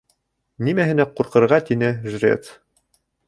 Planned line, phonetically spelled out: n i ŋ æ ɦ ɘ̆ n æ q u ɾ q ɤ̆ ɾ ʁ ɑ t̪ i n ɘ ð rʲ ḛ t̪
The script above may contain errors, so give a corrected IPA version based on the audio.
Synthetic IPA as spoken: n i m æ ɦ ɘ̆ n æ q u ɾ q ɤ̆ ɾ ʁ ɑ t̪ i n ɘ ʒ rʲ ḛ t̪